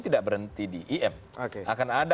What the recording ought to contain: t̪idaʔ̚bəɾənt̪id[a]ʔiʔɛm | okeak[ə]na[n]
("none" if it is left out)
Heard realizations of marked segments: i, a, d

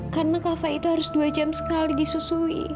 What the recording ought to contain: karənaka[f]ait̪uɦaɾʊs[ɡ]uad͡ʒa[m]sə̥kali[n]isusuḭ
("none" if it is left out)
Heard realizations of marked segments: f, d, m, d

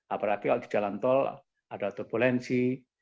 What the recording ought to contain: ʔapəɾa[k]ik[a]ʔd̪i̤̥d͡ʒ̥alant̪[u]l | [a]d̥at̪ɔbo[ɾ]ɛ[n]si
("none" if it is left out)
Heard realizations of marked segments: k, a, ɔ, a, l, n

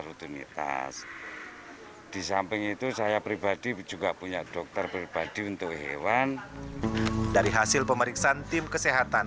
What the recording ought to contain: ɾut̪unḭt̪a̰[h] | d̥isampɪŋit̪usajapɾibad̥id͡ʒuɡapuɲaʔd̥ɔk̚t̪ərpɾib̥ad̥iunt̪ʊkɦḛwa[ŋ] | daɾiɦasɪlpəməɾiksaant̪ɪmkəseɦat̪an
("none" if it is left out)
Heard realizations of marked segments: s, n

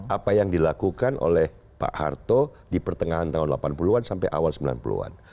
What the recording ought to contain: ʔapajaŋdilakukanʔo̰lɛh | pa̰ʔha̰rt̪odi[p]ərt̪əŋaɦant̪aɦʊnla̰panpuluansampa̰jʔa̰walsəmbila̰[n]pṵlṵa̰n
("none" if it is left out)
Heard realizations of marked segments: p, n

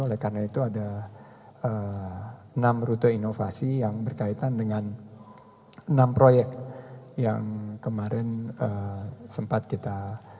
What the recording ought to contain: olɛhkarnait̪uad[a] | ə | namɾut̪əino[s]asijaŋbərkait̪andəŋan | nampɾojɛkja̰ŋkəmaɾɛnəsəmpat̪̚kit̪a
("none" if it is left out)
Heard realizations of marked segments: a, f

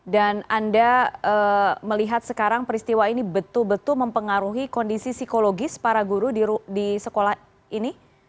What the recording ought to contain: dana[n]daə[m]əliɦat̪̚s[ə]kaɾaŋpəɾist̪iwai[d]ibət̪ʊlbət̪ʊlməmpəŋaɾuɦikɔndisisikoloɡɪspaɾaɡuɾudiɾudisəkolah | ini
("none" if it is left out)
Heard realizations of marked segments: n, m, ə, n

